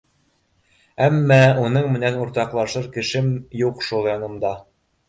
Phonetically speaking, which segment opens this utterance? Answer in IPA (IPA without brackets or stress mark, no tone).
æ